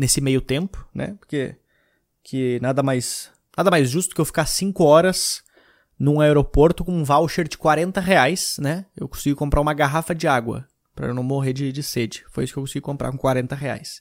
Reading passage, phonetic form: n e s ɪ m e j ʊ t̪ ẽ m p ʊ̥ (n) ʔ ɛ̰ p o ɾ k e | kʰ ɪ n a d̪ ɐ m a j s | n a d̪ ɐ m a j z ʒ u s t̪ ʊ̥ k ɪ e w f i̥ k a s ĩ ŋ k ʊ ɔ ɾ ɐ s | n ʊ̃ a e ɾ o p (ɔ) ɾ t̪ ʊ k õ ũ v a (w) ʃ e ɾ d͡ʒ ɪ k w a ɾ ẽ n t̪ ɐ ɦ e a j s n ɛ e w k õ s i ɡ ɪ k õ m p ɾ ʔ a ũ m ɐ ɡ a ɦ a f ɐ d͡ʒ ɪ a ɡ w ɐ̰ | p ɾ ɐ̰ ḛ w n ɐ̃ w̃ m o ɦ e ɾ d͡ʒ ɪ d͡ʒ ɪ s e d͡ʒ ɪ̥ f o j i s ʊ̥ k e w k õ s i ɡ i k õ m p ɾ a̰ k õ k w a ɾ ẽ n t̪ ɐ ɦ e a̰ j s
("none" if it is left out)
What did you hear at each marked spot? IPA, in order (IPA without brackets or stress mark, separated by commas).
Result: n, o, w